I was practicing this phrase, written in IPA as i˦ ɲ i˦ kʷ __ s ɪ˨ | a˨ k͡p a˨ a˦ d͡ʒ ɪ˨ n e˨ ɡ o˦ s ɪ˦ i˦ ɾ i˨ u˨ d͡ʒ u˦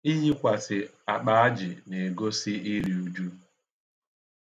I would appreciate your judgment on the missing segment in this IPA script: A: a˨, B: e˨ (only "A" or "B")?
A